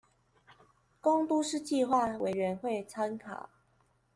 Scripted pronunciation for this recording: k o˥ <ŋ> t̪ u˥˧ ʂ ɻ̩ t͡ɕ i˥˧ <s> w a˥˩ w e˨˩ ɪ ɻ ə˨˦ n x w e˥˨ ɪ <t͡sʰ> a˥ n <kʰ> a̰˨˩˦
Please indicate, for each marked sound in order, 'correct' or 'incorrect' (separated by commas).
correct, incorrect, correct, correct